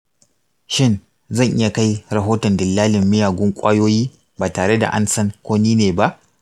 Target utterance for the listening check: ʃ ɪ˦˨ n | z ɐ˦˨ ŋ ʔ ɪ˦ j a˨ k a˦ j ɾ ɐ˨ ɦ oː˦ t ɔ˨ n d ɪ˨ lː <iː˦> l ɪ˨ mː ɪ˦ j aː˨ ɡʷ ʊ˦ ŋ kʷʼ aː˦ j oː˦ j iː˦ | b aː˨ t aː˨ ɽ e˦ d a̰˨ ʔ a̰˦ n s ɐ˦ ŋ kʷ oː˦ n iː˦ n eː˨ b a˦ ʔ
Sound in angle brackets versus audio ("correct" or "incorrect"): incorrect